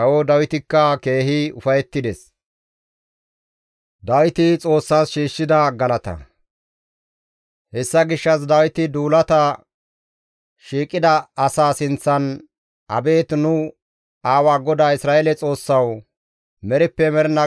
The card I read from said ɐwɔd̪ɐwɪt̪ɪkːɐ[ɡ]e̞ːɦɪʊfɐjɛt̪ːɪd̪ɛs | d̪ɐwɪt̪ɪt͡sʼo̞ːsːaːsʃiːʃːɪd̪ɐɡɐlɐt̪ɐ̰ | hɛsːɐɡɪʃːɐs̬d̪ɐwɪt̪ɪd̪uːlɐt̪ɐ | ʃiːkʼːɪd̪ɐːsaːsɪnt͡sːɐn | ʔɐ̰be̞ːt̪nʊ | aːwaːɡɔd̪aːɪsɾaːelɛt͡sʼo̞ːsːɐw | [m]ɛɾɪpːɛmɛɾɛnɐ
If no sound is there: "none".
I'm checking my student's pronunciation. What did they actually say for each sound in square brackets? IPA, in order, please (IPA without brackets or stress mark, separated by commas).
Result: k, m